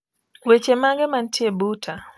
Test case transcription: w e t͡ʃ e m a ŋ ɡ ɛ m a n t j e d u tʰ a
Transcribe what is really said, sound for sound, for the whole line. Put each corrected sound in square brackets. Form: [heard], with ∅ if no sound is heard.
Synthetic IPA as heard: w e t͡ʃ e m a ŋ ɡ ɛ m a n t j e [b] u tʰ a